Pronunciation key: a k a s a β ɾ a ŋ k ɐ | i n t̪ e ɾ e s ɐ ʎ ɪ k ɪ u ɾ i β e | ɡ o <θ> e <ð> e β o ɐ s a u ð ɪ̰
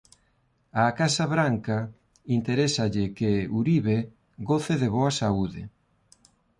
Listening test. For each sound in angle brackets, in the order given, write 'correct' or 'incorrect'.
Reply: correct, correct

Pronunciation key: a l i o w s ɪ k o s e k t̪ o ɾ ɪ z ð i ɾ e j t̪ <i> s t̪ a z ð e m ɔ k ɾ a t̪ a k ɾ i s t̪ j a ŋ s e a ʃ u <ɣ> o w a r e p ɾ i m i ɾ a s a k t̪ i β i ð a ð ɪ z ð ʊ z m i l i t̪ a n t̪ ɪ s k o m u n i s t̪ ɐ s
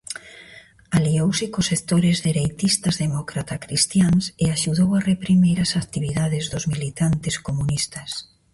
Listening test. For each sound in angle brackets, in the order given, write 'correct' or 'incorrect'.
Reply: correct, incorrect: ð

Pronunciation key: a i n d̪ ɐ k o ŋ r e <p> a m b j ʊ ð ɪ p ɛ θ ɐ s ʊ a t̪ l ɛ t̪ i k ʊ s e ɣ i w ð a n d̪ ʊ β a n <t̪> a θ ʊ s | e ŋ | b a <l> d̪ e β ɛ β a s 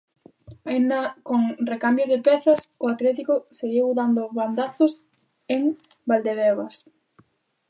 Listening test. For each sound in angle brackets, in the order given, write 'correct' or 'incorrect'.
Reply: incorrect: k, incorrect: d̪, correct

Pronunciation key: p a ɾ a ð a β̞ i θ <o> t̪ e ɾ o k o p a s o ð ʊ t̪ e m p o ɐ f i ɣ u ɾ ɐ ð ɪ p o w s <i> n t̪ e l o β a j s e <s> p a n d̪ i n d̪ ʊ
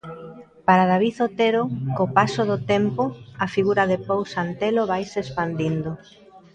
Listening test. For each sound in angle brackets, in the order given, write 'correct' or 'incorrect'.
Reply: correct, incorrect: a, correct

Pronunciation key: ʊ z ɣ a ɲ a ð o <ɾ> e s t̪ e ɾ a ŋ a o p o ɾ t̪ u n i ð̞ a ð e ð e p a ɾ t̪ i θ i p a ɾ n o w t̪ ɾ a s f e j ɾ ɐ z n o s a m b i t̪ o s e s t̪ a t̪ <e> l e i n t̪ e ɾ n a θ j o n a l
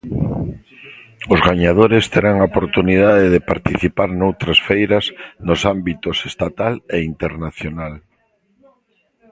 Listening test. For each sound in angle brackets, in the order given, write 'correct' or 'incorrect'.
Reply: correct, incorrect: a

